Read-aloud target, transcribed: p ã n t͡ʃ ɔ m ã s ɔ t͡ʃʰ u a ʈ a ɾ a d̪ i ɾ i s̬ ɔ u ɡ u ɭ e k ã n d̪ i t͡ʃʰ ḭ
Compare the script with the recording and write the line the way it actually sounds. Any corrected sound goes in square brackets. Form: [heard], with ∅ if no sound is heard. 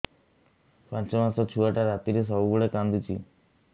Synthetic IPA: p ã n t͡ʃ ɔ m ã s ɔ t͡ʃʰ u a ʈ a ɾ a [t̪] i ɾ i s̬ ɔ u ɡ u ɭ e k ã n d̪ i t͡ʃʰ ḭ

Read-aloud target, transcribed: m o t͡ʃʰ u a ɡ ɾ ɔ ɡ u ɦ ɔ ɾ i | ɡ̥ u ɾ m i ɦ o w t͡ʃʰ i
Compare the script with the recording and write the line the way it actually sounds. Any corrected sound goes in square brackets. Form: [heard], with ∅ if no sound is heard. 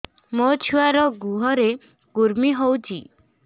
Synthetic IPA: m o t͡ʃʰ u a [∅] ɾ ɔ ɡ u ɦ ɔ ɾ [e] | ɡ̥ u ɾ m i ɦ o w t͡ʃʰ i

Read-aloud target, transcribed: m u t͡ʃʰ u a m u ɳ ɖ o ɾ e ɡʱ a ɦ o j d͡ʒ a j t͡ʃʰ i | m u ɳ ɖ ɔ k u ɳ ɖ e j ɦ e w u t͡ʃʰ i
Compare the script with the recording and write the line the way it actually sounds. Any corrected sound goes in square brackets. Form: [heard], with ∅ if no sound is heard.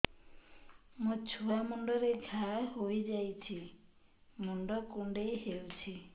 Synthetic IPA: m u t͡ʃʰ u a m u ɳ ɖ [ɔ] ɾ e ɡʱ a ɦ o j d͡ʒ a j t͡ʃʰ i | m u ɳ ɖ ɔ k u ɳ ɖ e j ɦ e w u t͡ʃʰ i

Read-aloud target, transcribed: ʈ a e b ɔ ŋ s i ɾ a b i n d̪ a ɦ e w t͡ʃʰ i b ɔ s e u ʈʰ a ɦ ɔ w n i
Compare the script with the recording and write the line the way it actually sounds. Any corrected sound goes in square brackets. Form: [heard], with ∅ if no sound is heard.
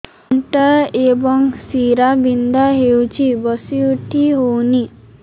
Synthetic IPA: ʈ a e b ɔ ŋ s i ɾ a b i n d̪ a ɦ e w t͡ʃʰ i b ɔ s [i] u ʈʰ [i] ɦ [o] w n i

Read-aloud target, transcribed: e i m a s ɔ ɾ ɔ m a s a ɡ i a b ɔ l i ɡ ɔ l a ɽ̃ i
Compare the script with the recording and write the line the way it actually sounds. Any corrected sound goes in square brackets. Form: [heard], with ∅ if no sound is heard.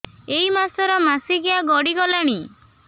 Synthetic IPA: e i m a s ɔ ɾ ɔ m a s [i] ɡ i a [ɡ] ɔ [ɽ] i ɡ ɔ l a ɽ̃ i

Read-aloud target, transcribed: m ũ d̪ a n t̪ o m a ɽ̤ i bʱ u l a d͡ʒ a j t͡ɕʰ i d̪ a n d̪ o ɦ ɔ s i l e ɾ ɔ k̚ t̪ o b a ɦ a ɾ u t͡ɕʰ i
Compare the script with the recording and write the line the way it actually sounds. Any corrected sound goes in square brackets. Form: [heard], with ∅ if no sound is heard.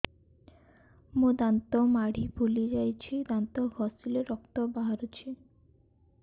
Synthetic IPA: m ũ d̪ a n t̪ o m a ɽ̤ i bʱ u l [i] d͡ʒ a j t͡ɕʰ i d̪ a n [t̪] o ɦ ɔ s i l e ɾ ɔ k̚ t̪ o b a ɦ a ɾ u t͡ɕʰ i

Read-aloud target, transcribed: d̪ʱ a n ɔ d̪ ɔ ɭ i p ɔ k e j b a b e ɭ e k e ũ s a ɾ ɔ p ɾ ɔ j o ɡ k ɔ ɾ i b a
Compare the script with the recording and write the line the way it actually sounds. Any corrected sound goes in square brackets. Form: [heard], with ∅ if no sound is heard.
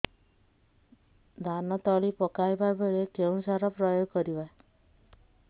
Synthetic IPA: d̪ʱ a n ɔ [t̪] ɔ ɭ i p ɔ k [a] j b a b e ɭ e k e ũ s a ɾ ɔ p ɾ ɔ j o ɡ k ɔ ɾ i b a

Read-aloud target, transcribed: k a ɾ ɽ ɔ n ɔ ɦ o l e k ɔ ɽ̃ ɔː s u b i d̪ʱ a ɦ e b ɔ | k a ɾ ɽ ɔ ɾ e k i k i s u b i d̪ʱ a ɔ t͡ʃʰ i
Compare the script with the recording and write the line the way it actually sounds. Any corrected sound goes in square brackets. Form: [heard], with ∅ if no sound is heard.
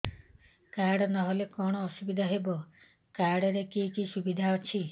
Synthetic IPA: k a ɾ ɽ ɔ n ɔ ɦ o l e k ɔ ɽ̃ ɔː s u b i d̪ʱ a ɦ e b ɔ | k a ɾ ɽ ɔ ɾ e k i k i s u b i d̪ʱ a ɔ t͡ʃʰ i

